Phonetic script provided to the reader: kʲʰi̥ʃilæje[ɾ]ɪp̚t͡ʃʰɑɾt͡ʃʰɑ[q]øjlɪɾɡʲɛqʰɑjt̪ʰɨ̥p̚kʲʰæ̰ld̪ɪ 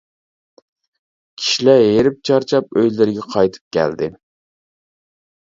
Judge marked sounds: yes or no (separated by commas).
yes, no